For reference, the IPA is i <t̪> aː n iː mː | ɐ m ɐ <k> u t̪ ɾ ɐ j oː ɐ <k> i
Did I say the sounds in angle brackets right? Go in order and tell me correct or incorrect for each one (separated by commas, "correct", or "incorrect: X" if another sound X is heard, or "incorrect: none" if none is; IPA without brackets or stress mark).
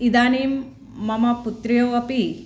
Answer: incorrect: d̪, incorrect: p, incorrect: p